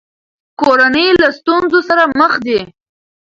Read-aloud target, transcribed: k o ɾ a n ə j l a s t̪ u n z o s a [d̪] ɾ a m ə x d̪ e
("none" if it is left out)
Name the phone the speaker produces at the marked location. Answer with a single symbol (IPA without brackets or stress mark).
none